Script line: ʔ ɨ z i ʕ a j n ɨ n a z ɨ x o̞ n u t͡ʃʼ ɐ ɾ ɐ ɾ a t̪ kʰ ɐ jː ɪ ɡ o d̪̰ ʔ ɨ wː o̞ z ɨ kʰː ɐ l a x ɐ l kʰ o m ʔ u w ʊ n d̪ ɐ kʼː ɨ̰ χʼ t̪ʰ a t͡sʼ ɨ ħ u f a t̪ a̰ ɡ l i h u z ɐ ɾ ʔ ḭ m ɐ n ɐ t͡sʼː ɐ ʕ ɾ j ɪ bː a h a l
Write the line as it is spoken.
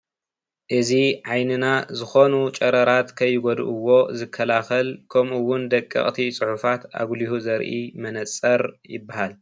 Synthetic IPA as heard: ʔ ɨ z i ʕ a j n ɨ n a z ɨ x o̞ n u t͡ʃʼ ɐ ɾ ɐ ɾ a t̪ kʰ ɐ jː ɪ ɡ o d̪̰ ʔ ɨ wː o̞ z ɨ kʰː ɐ l a x ɐ l kʰ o m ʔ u w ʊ n d̪ ɐ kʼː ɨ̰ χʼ t̪ʰ i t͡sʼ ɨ ħ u f a t̪ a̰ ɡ l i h u z ɐ ɾ ʔ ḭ m ɐ n ɐ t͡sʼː ɐ ɾ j ɪ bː a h a l